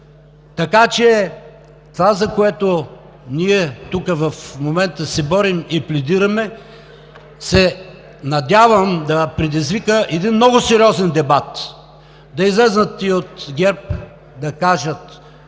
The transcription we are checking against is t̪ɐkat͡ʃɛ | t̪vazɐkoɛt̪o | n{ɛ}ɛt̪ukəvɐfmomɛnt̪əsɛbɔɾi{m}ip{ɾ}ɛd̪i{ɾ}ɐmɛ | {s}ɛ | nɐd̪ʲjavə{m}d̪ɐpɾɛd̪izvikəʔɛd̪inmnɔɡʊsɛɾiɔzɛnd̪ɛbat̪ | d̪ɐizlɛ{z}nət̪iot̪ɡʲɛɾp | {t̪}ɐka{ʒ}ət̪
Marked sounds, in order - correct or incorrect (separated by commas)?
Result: incorrect, correct, incorrect, correct, correct, correct, correct, incorrect, correct